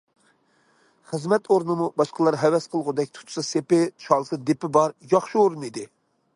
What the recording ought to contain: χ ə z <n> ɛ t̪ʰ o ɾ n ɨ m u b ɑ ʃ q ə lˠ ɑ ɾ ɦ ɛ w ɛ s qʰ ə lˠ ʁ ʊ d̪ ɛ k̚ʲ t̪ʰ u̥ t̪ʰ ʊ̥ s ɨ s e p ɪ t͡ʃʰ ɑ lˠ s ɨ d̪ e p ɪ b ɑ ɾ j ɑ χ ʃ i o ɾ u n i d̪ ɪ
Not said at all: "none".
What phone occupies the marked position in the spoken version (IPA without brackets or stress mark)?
m